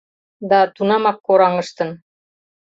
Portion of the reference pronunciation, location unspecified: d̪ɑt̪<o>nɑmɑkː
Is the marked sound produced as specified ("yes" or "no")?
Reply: no